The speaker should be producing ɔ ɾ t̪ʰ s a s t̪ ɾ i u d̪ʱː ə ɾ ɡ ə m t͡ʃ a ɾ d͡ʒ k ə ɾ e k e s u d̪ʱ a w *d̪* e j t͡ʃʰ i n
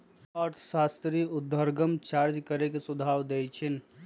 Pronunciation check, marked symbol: correct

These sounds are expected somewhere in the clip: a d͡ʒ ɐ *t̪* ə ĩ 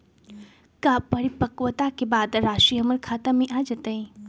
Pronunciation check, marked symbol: correct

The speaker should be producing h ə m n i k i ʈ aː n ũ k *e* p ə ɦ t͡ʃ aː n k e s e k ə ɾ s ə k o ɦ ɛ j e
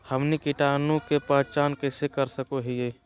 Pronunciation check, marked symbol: correct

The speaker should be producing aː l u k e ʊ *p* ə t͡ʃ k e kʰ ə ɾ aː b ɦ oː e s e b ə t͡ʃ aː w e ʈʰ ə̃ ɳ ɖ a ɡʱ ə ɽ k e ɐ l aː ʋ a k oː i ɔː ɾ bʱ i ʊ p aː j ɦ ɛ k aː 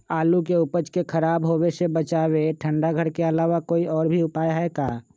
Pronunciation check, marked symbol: correct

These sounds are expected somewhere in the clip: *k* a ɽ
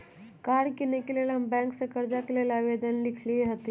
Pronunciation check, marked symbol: correct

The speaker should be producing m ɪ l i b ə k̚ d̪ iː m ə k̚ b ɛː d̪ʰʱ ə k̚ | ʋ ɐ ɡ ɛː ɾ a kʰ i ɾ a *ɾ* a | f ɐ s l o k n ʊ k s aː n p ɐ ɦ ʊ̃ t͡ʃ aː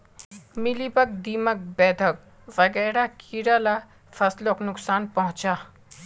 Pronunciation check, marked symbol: incorrect: l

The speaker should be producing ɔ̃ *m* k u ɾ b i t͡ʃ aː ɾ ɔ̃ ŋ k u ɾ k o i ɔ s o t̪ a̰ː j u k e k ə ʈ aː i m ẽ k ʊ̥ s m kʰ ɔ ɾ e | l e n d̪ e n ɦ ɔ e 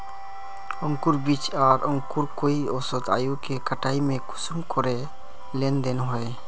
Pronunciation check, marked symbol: incorrect: ŋ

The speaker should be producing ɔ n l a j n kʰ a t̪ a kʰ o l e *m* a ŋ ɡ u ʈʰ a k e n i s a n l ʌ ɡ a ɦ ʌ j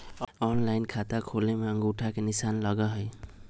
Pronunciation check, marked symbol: correct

